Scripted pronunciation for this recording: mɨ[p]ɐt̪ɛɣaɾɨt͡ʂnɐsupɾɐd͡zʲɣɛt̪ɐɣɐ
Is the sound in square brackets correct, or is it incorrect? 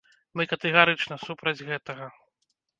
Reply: incorrect